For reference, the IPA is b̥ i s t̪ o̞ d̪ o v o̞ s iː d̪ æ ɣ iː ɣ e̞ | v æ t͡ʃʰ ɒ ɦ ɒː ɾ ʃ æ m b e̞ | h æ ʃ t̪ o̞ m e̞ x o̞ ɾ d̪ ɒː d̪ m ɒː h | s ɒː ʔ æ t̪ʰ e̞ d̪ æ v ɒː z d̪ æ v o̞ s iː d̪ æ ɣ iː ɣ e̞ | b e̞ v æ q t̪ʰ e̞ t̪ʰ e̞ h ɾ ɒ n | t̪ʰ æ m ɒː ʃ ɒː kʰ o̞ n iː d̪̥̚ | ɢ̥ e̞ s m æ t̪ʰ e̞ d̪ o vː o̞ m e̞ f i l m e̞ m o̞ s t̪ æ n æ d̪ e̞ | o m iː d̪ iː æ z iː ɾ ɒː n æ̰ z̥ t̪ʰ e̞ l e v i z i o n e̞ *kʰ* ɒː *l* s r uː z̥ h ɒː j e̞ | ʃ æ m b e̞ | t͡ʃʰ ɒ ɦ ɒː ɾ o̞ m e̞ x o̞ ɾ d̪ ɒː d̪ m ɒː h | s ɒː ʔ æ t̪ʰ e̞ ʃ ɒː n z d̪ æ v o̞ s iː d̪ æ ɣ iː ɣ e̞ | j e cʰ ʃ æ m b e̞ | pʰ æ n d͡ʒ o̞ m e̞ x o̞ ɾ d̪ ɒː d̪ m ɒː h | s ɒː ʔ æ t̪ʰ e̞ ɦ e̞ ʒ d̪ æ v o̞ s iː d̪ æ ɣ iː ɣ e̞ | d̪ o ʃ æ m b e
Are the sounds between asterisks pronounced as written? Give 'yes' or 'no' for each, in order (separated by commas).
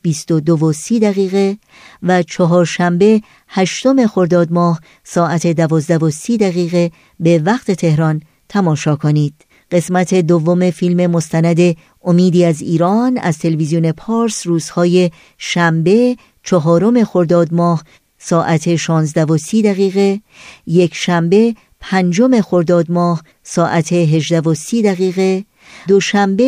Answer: no, no